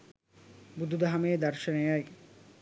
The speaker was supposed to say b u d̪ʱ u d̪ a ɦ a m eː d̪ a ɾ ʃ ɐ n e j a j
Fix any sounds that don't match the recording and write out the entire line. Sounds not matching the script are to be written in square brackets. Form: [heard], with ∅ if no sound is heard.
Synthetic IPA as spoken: b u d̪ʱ u d̪ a ɦ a m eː d̪ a ɾ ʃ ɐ n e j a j